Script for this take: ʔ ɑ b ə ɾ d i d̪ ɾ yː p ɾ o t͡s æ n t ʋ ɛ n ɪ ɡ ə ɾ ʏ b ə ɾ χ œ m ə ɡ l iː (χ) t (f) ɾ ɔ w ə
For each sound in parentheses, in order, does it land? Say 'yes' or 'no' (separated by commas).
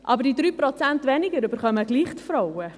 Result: yes, yes